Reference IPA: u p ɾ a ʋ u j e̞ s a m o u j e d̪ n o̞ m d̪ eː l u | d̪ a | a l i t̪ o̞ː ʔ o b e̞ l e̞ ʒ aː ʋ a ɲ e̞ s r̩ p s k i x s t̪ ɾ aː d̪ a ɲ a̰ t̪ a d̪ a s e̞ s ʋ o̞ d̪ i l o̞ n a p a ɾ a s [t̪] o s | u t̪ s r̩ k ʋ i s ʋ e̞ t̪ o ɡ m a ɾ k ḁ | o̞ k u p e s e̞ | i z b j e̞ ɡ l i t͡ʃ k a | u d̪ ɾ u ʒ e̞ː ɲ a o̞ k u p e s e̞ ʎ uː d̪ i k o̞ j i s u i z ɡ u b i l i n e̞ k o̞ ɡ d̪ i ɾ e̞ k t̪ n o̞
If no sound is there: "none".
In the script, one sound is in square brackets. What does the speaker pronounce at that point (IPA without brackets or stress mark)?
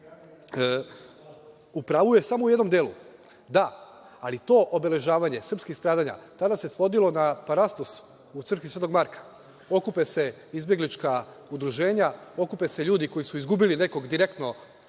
t̪